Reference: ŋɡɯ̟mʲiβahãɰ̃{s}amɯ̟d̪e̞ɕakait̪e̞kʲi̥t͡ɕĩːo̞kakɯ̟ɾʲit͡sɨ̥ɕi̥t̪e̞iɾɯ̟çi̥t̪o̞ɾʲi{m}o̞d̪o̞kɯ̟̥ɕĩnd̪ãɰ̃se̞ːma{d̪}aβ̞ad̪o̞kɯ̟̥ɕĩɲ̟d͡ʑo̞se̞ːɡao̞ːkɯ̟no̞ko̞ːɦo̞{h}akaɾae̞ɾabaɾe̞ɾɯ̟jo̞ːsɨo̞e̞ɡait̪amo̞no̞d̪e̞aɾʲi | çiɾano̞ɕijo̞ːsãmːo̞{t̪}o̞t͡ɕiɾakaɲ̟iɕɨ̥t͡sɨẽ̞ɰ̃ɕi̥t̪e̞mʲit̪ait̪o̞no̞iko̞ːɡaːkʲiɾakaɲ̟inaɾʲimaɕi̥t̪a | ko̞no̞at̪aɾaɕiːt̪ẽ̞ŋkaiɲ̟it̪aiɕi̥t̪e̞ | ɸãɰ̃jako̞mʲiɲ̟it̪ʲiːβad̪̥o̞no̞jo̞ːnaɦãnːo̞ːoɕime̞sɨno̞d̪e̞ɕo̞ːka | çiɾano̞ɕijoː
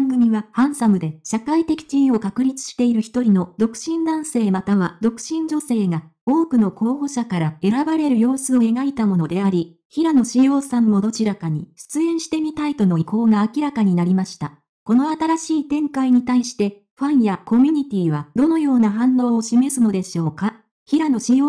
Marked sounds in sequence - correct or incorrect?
correct, incorrect: n, incorrect: t̪, incorrect: ɕ, incorrect: d̪

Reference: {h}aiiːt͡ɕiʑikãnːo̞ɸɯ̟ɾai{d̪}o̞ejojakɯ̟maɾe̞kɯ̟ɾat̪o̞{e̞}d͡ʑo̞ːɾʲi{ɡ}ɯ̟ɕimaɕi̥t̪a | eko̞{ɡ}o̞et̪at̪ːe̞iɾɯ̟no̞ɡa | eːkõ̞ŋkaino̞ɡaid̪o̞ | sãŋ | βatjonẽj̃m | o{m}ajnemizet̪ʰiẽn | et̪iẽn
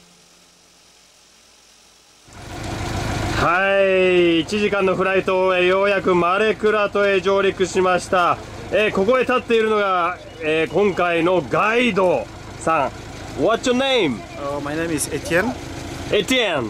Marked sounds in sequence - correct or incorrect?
correct, incorrect: t̪, correct, incorrect: k, incorrect: k, correct

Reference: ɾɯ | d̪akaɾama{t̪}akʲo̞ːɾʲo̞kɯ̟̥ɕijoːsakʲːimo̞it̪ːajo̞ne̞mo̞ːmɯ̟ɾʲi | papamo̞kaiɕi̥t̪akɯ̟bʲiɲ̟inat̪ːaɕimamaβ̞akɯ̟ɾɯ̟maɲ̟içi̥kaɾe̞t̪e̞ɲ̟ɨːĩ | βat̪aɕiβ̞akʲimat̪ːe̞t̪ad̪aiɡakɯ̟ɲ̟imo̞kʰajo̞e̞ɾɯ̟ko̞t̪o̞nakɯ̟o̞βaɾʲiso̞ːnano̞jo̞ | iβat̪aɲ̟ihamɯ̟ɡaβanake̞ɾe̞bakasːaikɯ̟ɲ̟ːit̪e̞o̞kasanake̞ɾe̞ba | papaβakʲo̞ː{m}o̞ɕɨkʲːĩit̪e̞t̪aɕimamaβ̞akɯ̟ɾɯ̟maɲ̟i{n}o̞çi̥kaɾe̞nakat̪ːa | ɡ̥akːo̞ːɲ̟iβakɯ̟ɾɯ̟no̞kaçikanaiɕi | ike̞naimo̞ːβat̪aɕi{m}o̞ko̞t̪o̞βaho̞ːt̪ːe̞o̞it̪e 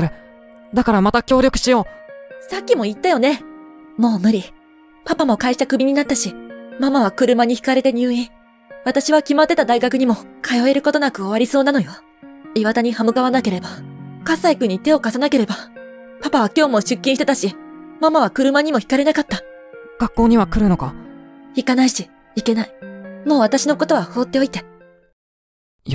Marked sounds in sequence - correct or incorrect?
correct, correct, incorrect: m, incorrect: n

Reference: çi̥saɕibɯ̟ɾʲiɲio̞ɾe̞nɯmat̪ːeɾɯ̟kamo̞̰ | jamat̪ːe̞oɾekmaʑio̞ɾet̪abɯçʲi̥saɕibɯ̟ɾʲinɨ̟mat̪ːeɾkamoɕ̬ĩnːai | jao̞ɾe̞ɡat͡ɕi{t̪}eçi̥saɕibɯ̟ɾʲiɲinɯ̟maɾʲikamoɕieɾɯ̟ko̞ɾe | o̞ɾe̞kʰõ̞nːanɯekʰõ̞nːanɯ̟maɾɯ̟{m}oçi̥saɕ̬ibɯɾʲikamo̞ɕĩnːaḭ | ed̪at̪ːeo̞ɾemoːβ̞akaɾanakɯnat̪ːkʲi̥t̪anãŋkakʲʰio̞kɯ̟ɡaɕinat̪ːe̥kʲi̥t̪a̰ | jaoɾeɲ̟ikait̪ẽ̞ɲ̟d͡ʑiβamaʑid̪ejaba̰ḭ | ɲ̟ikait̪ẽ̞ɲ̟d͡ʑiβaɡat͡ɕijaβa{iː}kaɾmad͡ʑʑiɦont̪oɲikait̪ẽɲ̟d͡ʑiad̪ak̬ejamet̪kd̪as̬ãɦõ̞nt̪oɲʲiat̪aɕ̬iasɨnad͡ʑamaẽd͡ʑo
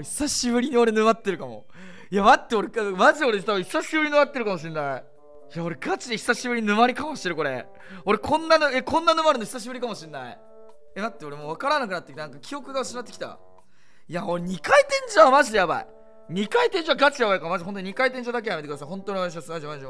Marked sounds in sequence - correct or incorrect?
incorrect: d̪, incorrect: n, incorrect: i

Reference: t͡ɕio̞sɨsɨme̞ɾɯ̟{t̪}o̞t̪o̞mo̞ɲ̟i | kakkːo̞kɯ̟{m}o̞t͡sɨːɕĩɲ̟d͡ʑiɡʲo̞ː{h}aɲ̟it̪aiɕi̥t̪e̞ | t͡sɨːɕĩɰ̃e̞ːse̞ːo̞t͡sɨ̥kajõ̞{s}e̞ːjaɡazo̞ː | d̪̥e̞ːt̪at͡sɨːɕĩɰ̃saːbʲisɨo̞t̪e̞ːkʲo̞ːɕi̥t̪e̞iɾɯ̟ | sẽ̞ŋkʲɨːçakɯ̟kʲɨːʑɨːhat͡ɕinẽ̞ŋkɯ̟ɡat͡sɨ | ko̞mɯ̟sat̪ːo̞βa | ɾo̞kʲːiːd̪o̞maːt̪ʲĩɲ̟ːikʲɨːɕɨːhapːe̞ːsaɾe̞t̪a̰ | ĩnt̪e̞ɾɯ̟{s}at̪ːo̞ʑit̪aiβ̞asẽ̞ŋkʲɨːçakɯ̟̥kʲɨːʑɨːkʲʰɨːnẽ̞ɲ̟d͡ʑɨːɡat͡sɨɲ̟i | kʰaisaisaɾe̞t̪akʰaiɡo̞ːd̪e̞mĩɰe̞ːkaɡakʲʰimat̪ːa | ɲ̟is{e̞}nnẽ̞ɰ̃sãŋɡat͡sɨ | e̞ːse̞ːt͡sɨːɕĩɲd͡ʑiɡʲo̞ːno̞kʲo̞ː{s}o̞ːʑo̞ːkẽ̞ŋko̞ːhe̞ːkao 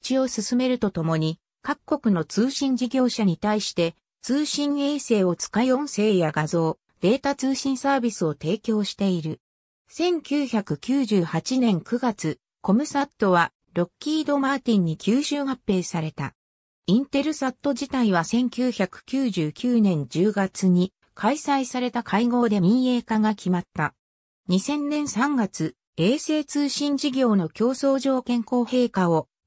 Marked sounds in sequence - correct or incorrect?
correct, incorrect: n, incorrect: ɕ, correct, correct, incorrect: ẽ̞, correct

